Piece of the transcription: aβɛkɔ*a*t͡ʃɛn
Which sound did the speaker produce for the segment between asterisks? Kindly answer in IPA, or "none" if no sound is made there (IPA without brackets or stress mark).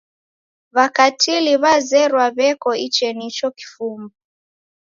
i